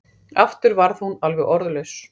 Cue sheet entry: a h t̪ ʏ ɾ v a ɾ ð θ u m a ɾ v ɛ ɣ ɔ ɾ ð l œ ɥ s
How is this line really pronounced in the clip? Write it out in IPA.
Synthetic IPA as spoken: a f t̪ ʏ ɾ v a ɾ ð h u n a l v ɛ ɣ ɔ ɾ ð l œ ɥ s